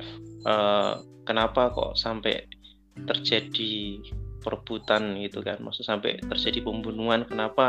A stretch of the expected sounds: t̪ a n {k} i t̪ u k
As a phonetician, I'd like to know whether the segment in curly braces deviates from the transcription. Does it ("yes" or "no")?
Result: yes